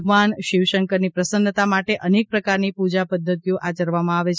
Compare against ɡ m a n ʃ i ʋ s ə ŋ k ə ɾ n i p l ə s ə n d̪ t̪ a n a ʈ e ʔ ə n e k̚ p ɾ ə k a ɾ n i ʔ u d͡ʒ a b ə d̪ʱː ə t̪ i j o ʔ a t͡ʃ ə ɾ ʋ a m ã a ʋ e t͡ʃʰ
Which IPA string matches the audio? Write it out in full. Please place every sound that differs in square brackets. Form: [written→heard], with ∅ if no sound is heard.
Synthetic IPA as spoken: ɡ m a n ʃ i ʋ [s→ʃ] ə ŋ k ə ɾ n i p [l→ɾ] ə s ə n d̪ t̪ a [n→m] a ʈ e ʔ ə n e k̚ p ɾ ə k a ɾ n i [ʔ→p] u d͡ʒ a [b→p] ə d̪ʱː ə t̪ i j o ʔ a t͡ʃ ə ɾ ʋ a m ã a ʋ e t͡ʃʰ